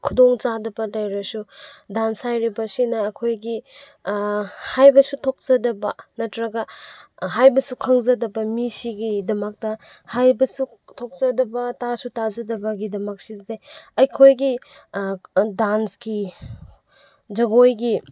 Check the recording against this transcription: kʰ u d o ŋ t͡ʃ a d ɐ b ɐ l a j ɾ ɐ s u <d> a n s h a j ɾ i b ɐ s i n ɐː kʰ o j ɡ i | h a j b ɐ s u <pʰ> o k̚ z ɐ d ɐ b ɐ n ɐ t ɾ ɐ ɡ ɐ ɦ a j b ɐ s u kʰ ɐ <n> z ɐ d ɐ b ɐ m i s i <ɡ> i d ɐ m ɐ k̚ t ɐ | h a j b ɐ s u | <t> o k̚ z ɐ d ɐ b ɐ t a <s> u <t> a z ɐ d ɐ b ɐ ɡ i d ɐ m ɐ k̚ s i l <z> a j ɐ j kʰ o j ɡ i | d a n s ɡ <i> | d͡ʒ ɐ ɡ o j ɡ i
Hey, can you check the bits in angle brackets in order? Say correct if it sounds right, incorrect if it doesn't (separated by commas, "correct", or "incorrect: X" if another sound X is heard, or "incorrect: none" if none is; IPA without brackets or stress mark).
correct, incorrect: tʰ, incorrect: ŋ, correct, incorrect: tʰ, correct, correct, correct, correct